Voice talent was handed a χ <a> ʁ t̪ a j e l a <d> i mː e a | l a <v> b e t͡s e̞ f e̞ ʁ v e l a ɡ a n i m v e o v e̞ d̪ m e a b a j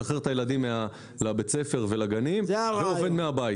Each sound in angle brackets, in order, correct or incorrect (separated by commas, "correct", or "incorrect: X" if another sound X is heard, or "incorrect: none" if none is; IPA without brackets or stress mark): incorrect: e, correct, incorrect: none